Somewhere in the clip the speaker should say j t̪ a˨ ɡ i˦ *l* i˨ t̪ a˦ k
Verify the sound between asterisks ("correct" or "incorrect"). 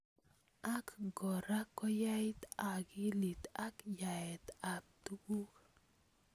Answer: correct